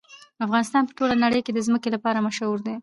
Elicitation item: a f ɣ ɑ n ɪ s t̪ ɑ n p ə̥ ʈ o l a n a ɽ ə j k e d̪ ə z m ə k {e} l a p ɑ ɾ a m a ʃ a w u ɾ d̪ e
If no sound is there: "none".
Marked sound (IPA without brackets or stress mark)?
e